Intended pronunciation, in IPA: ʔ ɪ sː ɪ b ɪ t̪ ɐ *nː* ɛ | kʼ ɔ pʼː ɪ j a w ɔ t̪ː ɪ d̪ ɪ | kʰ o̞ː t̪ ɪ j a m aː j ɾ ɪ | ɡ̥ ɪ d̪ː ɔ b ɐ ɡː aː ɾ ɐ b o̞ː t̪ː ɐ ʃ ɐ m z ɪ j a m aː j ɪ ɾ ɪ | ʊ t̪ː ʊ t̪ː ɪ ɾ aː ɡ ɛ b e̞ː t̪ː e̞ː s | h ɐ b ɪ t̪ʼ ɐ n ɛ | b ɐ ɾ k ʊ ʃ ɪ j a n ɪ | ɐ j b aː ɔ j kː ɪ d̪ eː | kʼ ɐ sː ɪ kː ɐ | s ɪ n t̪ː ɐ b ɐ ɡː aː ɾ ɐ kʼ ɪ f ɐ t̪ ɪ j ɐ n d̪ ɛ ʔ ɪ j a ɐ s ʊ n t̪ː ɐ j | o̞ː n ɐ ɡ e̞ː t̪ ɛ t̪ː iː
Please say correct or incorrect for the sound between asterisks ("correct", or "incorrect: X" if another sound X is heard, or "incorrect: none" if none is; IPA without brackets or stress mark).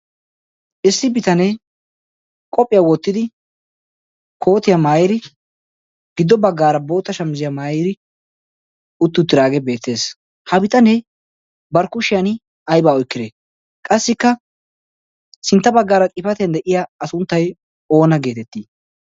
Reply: incorrect: n